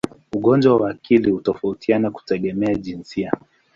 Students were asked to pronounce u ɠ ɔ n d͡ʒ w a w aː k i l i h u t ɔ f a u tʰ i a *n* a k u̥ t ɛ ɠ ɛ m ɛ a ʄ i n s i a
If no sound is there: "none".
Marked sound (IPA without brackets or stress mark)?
n